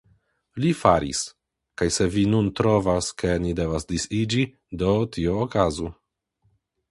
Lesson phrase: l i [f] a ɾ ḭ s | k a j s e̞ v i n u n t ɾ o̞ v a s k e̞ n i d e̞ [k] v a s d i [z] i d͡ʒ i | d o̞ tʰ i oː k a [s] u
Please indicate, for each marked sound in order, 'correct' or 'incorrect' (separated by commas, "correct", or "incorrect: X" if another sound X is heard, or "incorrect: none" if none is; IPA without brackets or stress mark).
correct, incorrect: none, incorrect: s, incorrect: z